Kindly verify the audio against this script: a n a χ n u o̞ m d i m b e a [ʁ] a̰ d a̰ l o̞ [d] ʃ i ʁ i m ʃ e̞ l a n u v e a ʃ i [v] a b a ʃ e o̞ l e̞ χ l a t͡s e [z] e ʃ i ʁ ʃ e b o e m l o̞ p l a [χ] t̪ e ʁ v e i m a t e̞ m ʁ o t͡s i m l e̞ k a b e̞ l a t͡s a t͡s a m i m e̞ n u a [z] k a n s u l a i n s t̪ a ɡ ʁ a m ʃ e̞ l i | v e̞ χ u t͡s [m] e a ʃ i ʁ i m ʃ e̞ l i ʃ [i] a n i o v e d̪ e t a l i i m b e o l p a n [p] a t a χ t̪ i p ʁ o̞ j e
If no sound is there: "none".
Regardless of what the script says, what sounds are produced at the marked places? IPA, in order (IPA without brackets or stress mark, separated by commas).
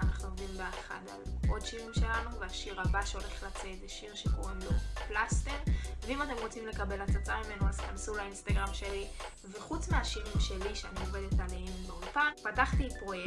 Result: χ, d, ʁ, z, s, z, m, e, p